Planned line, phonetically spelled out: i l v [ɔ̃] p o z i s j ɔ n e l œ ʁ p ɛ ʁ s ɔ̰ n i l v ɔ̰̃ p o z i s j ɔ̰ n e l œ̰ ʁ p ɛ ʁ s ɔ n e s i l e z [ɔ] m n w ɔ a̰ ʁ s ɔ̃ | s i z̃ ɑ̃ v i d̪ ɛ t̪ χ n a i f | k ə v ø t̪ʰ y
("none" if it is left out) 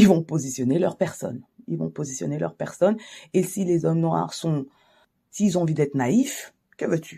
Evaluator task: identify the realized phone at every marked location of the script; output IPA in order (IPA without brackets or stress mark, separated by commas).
ɔ̃, ɔ